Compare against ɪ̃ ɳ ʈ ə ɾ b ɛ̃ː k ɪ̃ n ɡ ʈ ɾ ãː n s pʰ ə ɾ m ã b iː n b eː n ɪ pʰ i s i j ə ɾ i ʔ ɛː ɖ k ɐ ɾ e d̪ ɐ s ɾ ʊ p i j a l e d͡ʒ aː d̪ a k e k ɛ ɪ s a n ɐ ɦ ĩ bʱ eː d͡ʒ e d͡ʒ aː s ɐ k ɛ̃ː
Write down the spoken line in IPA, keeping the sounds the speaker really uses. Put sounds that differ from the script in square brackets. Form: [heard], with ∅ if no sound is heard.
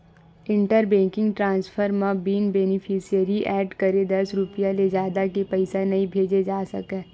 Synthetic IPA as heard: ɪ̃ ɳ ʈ ə ɾ b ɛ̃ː k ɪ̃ [ŋ] ɡ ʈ ɾ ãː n s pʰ ə ɾ m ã b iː n b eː n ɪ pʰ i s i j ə ɾ i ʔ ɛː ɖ k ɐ ɾ e d̪ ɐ s ɾ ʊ p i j a l e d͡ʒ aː d̪ a k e [p] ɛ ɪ s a n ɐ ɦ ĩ bʱ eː d͡ʒ e d͡ʒ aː s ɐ k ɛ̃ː